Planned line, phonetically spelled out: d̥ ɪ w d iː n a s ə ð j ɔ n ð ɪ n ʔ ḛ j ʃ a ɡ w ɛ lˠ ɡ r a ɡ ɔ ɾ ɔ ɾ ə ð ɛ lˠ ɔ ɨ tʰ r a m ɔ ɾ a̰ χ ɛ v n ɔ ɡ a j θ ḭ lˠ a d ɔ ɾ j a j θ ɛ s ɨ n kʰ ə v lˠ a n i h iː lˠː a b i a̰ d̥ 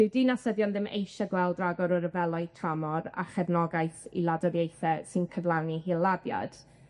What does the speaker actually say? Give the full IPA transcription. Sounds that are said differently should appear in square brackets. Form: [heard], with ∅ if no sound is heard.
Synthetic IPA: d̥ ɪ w d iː n a s ə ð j ɔ n ð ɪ [m] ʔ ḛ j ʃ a ɡ w ɛ lˠ [d] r a ɡ ɔ ɾ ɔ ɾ ə [v] ɛ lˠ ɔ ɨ tʰ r a m ɔ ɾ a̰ χ ɛ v n ɔ ɡ a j θ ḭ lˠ a d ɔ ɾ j [e] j θ ɛ s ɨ n kʰ ə v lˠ a n i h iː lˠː a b [j] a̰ d̥